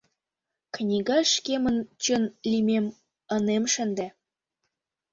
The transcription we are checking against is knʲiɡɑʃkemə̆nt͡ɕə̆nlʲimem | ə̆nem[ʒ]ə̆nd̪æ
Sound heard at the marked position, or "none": ʃ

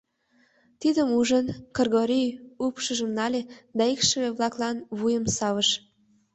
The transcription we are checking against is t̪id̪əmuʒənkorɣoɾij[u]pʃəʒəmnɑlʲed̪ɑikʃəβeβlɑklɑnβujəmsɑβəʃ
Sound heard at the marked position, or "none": u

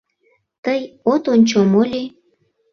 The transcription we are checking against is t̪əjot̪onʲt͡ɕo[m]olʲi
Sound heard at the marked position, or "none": m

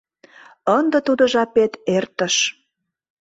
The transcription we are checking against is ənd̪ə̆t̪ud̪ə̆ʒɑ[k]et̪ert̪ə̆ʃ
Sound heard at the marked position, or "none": p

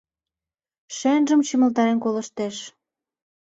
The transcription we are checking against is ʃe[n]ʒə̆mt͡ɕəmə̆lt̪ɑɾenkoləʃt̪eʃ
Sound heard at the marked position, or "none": n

